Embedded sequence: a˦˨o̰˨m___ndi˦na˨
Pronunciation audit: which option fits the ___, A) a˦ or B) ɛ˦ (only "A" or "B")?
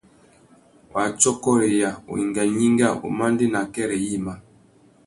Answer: A